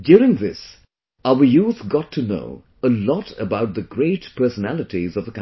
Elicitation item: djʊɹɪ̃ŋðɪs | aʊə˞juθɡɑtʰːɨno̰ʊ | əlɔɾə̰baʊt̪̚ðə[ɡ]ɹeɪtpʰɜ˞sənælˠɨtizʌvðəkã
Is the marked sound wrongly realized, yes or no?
no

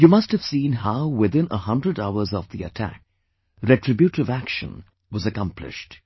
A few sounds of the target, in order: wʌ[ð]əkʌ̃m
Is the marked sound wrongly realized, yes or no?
yes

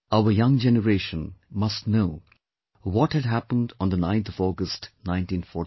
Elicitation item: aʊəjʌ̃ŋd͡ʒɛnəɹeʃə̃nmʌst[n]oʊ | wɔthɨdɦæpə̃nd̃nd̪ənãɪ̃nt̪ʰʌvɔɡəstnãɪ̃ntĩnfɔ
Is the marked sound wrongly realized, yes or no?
no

